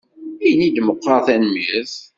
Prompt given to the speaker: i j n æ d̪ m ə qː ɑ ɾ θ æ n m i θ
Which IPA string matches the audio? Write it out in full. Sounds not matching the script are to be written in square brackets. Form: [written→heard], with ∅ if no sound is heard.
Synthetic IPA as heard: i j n [æ→i] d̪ m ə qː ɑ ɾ θ æ n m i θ